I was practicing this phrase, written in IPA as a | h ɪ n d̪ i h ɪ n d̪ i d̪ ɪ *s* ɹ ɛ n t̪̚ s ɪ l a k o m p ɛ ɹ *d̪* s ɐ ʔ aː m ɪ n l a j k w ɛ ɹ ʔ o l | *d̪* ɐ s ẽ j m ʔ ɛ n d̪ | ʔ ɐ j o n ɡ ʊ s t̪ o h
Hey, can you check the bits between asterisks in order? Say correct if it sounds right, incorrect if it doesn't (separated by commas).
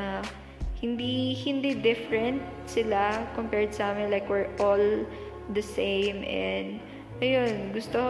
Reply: incorrect, correct, correct